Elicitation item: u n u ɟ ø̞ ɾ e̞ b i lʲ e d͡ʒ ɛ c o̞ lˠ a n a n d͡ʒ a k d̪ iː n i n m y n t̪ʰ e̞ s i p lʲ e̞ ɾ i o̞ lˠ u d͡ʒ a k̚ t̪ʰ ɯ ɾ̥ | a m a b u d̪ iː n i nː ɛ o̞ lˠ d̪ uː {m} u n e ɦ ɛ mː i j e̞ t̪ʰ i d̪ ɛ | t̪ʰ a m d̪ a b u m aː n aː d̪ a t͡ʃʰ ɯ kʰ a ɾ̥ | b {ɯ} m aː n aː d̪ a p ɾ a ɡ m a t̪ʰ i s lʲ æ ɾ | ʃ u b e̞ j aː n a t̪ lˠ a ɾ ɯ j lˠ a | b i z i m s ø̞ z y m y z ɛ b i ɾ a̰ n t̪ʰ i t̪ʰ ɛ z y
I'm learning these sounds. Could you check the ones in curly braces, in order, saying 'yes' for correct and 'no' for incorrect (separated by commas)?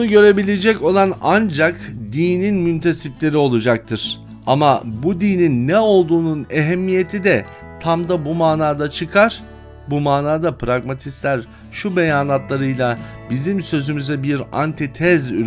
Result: no, no